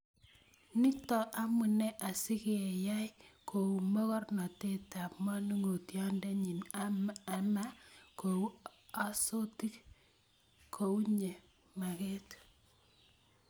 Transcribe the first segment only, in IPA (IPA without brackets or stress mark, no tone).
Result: n